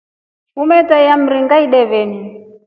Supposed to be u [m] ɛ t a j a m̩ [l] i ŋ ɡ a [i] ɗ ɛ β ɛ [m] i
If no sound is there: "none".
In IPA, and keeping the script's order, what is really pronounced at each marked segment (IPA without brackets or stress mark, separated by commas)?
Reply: m, ɾ, i, n